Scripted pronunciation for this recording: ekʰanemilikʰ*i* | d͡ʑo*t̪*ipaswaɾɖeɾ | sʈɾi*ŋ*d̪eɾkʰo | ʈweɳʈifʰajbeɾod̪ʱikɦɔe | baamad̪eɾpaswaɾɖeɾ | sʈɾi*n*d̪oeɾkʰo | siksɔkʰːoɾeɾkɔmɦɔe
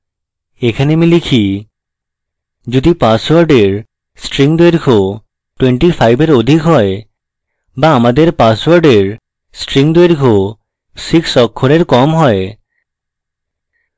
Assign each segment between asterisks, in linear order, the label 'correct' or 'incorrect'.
correct, incorrect, correct, incorrect

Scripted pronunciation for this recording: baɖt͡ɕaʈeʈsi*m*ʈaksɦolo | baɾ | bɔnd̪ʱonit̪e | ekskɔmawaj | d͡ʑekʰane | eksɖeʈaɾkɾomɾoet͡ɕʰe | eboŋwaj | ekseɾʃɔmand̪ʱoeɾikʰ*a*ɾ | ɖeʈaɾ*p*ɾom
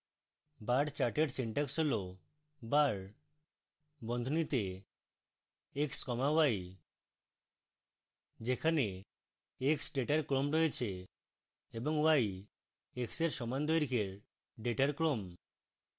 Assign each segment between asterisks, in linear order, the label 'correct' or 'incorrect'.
incorrect, incorrect, incorrect

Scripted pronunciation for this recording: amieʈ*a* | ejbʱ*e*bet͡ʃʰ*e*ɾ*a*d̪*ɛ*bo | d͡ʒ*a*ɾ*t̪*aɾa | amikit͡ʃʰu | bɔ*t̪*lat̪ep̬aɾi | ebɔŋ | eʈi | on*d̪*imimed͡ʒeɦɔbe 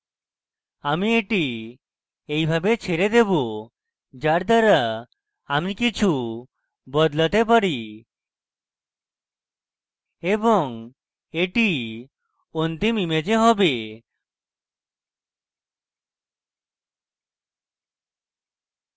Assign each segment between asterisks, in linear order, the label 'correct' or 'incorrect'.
incorrect, incorrect, correct, incorrect, incorrect, correct, incorrect, incorrect, incorrect

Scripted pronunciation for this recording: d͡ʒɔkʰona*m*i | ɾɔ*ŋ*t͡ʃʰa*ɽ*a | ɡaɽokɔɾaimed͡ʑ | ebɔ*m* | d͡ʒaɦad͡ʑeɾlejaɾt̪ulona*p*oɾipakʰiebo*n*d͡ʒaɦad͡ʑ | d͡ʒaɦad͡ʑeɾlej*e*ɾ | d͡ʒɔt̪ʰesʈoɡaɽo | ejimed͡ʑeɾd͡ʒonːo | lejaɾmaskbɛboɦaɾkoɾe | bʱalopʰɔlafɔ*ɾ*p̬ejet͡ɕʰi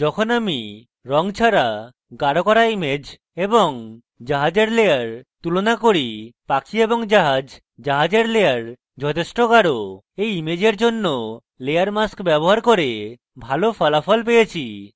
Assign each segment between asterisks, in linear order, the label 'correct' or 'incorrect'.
correct, correct, incorrect, incorrect, incorrect, incorrect, incorrect, incorrect

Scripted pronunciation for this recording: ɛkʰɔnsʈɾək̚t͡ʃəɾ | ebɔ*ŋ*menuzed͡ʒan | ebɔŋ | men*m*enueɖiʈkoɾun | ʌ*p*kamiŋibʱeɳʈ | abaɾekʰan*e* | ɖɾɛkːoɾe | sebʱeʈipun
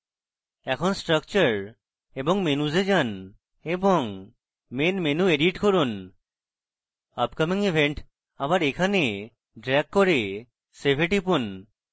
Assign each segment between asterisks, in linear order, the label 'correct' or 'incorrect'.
correct, correct, correct, correct

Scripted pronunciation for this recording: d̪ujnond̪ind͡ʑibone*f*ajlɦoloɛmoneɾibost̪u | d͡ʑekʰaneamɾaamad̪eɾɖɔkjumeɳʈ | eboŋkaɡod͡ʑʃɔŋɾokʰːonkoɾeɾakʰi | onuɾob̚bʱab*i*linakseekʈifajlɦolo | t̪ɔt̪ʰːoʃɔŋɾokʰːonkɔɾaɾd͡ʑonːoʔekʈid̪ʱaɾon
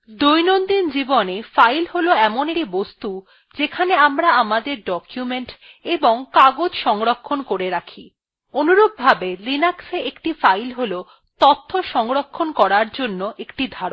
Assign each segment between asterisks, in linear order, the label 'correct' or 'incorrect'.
correct, incorrect

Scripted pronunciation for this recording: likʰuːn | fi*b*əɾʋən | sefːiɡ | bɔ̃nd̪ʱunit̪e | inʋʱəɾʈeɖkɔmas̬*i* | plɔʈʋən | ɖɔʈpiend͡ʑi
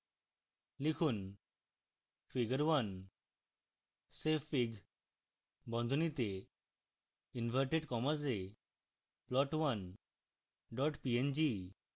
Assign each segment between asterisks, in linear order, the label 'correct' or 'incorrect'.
incorrect, incorrect

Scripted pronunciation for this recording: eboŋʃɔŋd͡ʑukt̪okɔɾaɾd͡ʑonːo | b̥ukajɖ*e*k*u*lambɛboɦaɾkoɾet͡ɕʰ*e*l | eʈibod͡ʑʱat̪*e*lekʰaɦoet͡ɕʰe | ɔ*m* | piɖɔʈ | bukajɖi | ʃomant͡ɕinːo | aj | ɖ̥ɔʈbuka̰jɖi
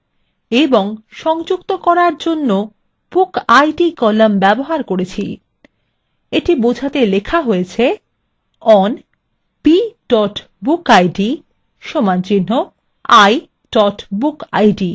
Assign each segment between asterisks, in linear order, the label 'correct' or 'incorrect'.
incorrect, incorrect, incorrect, correct, incorrect

